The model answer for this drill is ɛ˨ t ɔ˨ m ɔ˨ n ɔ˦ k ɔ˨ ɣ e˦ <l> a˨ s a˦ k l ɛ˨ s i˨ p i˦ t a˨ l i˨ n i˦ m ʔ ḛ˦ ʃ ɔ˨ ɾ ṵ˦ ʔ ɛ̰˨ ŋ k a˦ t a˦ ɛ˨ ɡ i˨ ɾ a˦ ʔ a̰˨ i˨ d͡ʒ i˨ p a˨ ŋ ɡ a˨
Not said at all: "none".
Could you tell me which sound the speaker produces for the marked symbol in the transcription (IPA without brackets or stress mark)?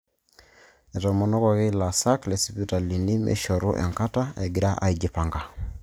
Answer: l